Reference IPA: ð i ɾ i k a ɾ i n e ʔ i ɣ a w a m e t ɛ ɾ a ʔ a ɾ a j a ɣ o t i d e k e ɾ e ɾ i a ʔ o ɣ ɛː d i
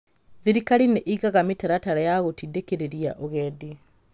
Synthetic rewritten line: ð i ɾ i k a ɾ i n e ʔ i ɣ a ɣ a m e t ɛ ɾ a t a ɾ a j a ɣ o t i d e k e ɾ e ɾ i a ʔ o ɣ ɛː d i